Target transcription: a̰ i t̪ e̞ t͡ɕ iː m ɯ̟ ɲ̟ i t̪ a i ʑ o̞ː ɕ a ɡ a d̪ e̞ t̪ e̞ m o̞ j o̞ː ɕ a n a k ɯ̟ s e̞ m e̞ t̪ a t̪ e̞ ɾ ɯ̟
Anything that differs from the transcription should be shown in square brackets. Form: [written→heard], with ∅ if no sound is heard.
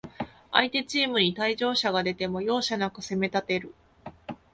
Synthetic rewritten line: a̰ i t̪ e̞ t͡ɕ iː m ɯ̟ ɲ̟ i t̪ a i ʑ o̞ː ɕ a ɡ a d̪ e̞ t̪ e̞ m o̞ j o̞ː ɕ a n a k ɯ̟ s e̞ m e̞ t̪ a t̪ e̞ ɾ ɯ̟